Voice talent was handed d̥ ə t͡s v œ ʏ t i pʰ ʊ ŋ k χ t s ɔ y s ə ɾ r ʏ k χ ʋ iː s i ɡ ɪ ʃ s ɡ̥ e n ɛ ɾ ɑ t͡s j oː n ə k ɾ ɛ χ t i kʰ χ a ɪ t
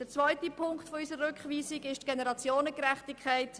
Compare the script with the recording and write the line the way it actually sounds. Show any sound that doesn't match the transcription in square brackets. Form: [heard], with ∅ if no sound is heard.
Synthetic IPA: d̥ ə t͡s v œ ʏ t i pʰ ʊ ŋ k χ t [f] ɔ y s ə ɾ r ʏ k χ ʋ iː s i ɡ ɪ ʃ [t] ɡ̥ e n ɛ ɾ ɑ t͡s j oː n ə k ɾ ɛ χ t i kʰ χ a ɪ t